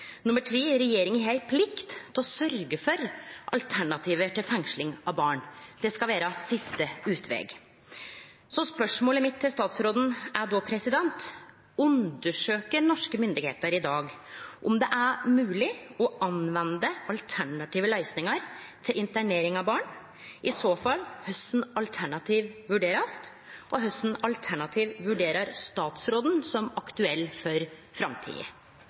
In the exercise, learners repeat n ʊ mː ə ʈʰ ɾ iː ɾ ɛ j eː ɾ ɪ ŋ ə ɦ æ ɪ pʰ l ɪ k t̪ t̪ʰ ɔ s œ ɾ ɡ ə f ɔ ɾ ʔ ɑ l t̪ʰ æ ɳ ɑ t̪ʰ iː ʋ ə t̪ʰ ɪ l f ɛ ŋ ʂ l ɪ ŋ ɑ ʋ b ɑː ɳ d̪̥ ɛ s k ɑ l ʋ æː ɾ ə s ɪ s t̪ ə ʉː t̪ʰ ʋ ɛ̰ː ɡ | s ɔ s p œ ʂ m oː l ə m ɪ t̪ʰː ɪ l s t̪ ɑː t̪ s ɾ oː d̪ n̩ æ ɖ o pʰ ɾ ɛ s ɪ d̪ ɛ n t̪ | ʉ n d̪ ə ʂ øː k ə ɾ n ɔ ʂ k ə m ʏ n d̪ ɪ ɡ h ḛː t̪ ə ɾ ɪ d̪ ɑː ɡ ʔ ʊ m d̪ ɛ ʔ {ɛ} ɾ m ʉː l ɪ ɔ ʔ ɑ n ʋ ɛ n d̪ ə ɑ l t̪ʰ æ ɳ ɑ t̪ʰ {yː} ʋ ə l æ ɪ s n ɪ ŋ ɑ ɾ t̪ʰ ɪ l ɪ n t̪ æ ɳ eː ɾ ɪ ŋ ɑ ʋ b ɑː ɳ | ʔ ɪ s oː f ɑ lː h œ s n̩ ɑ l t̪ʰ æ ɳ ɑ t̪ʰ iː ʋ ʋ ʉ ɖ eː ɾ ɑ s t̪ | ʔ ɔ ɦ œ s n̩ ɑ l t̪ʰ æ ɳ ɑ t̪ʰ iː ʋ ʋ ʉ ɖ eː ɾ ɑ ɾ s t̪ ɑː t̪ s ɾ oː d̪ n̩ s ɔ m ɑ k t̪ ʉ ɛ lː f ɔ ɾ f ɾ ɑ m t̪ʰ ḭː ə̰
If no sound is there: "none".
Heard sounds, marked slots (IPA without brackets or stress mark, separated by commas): æ, iː